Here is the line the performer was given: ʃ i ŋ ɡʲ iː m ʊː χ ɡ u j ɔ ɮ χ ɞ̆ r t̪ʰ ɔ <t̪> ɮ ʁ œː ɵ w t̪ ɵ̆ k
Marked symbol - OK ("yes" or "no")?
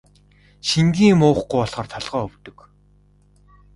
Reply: no